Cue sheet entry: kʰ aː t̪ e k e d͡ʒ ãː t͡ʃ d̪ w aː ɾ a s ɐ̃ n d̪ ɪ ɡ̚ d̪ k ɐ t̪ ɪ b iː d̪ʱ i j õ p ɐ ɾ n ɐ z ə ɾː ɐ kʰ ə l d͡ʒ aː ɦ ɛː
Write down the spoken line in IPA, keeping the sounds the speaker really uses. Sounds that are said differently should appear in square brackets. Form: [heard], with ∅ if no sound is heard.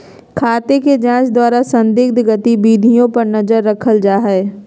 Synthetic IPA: kʰ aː t̪ e k e d͡ʒ ãː t͡ʃ d̪ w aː ɾ a s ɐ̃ n d̪ ɪ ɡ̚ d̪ [ɡ] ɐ t̪ [i] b iː d̪ʱ i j õ p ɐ ɾ n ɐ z ə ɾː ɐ kʰ ə l d͡ʒ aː ɦ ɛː